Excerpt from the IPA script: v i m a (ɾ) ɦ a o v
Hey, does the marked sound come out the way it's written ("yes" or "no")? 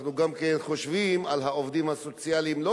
no